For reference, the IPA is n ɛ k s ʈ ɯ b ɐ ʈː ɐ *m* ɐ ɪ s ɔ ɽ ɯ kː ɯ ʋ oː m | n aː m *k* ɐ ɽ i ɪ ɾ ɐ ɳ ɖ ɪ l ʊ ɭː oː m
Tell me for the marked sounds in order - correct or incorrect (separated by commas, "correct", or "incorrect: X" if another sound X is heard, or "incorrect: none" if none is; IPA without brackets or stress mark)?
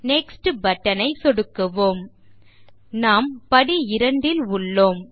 incorrect: n, incorrect: p